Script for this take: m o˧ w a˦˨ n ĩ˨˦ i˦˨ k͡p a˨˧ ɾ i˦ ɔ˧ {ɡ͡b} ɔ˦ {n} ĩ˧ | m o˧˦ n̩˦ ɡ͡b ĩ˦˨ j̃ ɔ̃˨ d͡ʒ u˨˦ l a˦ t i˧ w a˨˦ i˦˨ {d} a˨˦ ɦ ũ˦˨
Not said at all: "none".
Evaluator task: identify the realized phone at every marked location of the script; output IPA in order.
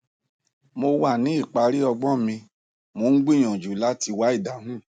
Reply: ɡ͡b, m, d

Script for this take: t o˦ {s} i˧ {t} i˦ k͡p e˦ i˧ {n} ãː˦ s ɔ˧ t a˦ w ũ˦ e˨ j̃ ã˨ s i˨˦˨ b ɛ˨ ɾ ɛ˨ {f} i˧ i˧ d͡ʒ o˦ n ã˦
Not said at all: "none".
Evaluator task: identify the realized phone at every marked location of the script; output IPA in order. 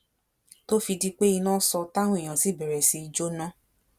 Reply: f, d, n, s

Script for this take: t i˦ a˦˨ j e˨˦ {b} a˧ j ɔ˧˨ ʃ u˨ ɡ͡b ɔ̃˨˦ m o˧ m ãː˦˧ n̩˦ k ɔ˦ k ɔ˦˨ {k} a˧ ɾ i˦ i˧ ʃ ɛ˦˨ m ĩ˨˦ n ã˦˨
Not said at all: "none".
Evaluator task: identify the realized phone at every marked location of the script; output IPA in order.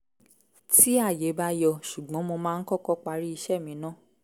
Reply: b, k͡p

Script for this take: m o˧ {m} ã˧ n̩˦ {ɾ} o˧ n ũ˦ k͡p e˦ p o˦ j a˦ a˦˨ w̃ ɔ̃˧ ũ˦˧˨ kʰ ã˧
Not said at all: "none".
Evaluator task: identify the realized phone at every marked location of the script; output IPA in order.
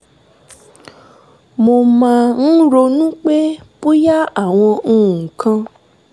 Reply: m, ɾ

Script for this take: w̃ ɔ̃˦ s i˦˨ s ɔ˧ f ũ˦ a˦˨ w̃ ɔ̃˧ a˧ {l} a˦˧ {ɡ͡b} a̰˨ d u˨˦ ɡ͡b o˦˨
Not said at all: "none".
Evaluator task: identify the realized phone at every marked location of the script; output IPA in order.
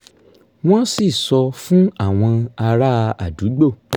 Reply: ɾ, none

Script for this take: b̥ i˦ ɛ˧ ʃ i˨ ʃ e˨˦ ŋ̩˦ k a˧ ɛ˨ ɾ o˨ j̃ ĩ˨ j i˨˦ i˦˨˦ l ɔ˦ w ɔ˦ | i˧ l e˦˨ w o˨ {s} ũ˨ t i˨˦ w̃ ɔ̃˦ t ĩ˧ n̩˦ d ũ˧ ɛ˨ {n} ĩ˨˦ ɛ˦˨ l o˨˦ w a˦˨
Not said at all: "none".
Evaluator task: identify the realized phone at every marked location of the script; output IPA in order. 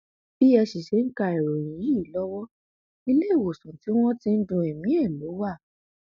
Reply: s, m

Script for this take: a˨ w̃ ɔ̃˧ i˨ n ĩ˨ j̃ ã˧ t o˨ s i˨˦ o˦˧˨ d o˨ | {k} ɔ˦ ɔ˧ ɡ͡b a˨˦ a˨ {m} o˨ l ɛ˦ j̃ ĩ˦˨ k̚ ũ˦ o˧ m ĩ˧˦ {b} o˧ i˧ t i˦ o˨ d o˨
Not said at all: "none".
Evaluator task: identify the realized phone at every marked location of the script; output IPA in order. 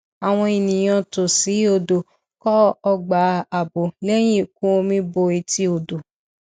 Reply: k, b, b

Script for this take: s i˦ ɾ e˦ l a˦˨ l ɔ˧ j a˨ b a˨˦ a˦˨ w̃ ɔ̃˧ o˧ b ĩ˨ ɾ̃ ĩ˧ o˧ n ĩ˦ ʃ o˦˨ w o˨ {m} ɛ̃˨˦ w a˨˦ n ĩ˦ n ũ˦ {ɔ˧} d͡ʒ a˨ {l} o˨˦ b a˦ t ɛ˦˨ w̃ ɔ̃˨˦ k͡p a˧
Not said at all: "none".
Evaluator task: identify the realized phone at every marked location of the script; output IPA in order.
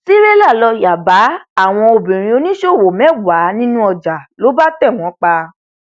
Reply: m, ɔ˧, l

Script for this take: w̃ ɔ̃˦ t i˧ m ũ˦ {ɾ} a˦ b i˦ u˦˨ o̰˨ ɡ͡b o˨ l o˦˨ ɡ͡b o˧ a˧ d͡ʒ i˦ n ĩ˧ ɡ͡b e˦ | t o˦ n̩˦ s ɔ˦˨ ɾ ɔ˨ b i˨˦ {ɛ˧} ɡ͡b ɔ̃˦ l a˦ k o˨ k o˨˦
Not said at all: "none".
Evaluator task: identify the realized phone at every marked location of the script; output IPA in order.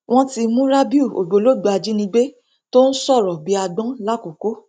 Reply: ɾ, a˧

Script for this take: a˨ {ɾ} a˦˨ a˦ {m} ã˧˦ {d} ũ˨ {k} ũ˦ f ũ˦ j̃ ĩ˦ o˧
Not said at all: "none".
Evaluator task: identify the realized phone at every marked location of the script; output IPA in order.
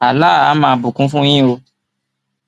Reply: l, m, b, k

